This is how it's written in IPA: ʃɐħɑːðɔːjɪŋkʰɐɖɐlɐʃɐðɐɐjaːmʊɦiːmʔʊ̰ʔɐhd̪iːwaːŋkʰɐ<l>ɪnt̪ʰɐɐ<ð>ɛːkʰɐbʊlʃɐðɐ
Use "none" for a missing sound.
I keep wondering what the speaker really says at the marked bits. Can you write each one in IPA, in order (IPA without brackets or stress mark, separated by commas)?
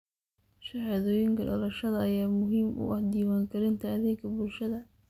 ɾ, ð